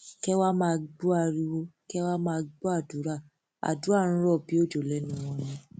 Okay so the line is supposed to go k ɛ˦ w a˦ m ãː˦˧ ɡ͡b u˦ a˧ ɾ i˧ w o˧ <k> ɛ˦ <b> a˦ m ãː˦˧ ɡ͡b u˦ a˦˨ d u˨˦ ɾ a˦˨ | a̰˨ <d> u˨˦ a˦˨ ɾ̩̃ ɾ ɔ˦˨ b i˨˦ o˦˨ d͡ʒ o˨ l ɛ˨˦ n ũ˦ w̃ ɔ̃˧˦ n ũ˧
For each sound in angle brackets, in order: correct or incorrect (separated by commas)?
correct, incorrect, correct